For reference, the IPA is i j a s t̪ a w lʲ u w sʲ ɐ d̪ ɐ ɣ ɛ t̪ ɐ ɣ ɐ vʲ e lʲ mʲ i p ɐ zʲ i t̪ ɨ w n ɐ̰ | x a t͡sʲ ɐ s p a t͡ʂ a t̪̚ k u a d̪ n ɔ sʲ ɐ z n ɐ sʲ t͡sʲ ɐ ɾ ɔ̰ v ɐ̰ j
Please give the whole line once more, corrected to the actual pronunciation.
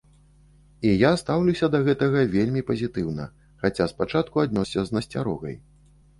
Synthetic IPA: i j a s t̪ a w lʲ u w sʲ ɐ d̪ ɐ ɣ ɛ t̪ ɐ ɣ ɐ vʲ e lʲ mʲ i p ɐ zʲ i t̪ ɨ w n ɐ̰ | x a t͡sʲ a s p a t͡ʂ a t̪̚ k u a d̪ n ɔ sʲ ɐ z n ɐ sʲ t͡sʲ a ɾ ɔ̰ ɣ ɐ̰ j

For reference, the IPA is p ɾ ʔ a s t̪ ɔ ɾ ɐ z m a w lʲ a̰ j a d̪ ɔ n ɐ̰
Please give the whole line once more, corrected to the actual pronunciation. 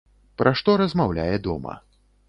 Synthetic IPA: p ɾ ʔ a ʂ t̪ ɔ ɾ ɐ z m a w lʲ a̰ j ɛ d̪ ɔ m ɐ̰

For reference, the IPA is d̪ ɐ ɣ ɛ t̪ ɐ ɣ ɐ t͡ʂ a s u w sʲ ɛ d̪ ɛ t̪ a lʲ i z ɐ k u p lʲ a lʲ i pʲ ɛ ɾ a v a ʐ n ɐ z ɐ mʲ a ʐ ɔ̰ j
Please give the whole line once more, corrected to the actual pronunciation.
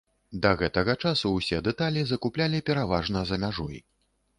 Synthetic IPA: d̪ ɐ ɣ ɛ t̪ ɐ ɣ ɐ t͡ʂ a s u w sʲ ɛ d̪ ɛ t̪ a lʲ i z ɐ k u p lʲ a lʲ i pʲ ɛ ɾ a v a ʐ n ɐ z ɐ mʲ a ʐ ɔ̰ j

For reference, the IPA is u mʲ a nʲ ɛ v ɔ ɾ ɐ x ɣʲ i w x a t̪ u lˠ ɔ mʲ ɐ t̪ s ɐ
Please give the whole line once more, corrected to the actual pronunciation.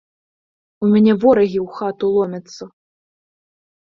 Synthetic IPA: u mʲ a nʲ ɛ v ɔ ɾ ɐ ɣʲ i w x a t̪ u lˠ ɔ mʲ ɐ t̪ sː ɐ

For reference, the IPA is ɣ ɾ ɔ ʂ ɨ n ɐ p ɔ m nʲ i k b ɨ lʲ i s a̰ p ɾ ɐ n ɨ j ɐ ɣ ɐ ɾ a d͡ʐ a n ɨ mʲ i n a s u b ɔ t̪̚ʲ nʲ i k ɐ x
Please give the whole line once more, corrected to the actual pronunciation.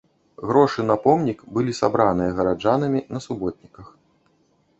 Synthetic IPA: ɣ ɾ ɔ ʂ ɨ n ɐ p ɔ m nʲ i k b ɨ lʲ i s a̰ b ɾ a n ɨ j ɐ ɣ ɐ ɾ a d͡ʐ a n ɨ mʲ i n ɐ s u b ɔ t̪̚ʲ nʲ i k ɐ x

